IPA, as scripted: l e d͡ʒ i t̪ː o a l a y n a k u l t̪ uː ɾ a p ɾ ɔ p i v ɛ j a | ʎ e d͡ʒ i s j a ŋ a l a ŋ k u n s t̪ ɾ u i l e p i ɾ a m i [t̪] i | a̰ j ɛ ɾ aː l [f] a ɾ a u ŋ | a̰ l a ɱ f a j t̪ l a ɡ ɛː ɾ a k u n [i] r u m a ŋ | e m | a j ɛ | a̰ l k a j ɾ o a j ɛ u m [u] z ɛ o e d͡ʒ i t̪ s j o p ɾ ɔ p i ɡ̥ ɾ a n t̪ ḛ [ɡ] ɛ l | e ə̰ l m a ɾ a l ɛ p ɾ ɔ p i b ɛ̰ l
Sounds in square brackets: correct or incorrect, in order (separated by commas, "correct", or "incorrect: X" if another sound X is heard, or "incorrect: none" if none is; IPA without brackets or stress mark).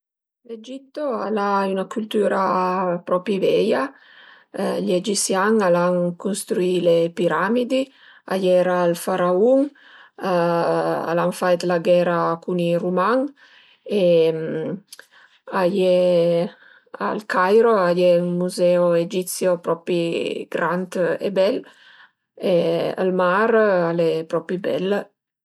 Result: incorrect: d̪, correct, correct, correct, incorrect: b